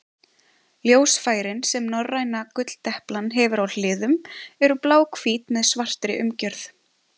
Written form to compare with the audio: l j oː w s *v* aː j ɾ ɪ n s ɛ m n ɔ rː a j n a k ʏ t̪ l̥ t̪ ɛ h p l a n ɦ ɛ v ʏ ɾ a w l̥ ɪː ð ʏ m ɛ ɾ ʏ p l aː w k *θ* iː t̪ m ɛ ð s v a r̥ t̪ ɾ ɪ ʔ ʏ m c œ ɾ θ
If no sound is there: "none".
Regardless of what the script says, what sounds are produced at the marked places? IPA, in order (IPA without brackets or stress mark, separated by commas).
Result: f, f